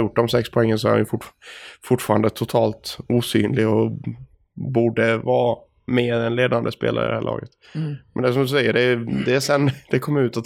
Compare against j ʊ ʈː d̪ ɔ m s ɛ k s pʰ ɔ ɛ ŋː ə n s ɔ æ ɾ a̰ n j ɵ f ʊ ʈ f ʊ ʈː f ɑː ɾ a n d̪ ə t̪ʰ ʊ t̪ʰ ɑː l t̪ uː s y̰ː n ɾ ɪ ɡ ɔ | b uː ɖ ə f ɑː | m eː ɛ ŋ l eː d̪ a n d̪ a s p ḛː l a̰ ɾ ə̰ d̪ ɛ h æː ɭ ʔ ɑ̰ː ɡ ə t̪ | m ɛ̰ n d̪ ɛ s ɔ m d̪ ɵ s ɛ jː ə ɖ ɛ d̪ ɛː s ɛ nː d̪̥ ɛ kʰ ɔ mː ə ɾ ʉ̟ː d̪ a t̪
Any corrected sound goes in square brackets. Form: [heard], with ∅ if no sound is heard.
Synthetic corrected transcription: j ʊ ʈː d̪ ɔ m s ɛ k s pʰ ɔ ɛ ŋː ə n s ɔ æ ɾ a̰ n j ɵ f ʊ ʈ f ʊ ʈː f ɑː ɾ a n d̪ ə t̪ʰ ʊ t̪ʰ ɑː l t̪ uː s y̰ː n [l] ɪ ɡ ɔ | b uː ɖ ə [v] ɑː | m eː ɛ [n] l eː d̪ a n d̪ [ə] s p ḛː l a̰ ɾ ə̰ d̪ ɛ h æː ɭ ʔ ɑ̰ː ɡ ə t̪ | m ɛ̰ n d̪ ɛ s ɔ m d̪ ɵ s ɛ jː ə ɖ ɛ d̪ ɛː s ɛ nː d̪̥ ɛ kʰ ɔ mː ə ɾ ʉ̟ː [t̪] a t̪